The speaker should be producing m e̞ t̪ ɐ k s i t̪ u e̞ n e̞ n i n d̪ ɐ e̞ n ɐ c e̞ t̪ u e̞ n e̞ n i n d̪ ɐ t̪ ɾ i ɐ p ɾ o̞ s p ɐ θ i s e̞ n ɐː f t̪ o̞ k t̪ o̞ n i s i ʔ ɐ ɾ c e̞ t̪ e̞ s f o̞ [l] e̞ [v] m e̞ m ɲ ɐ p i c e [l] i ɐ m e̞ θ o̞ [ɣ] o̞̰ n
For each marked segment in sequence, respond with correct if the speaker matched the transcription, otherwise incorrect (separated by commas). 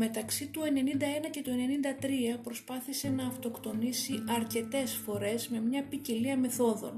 incorrect, incorrect, correct, incorrect